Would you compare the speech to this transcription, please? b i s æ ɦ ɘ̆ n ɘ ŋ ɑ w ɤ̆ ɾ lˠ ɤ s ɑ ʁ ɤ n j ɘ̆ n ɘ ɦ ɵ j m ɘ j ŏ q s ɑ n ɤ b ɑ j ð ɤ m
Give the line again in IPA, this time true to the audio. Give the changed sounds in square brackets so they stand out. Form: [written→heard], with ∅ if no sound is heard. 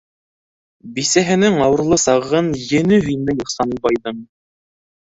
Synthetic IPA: b i s æ ɦ ɘ̆ n ɘ ŋ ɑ w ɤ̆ ɾ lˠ ɤ s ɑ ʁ ɤ n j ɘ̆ n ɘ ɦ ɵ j [m→n] ɘ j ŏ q s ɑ n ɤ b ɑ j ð ɤ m